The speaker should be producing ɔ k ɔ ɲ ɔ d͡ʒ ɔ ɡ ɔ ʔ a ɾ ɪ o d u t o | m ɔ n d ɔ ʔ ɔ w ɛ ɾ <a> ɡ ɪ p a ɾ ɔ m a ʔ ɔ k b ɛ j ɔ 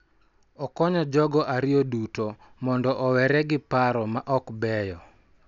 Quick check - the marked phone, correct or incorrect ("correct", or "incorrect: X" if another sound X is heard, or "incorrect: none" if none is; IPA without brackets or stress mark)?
incorrect: ɛ